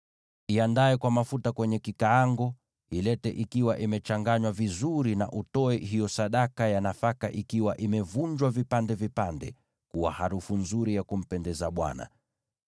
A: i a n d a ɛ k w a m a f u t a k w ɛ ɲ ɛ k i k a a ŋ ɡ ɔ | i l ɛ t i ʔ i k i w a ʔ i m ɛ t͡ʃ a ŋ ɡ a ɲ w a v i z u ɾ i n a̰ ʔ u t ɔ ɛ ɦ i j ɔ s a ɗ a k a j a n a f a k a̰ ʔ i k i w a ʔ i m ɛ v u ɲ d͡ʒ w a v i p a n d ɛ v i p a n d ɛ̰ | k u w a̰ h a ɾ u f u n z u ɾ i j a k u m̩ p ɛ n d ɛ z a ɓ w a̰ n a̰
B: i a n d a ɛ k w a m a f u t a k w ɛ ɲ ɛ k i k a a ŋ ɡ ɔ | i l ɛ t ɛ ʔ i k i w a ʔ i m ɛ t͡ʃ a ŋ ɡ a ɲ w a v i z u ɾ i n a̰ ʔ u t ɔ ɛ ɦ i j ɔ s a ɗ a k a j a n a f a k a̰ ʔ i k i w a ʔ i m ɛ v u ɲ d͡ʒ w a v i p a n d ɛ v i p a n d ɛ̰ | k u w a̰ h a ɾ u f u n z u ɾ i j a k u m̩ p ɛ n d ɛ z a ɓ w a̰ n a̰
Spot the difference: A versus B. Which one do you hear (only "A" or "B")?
B